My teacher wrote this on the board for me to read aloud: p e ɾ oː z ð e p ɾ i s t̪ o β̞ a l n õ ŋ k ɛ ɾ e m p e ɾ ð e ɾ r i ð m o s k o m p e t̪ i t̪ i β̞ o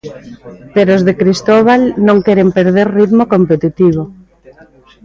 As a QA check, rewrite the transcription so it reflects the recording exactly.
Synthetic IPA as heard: p e ɾ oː z ð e k ɾ i s t̪ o β̞ a l n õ ŋ k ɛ ɾ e m p e ɾ ð e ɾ r i ð m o k o m p e t̪ i t̪ i β̞ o